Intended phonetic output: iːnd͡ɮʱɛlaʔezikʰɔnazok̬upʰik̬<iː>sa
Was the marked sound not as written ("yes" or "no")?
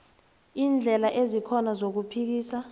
no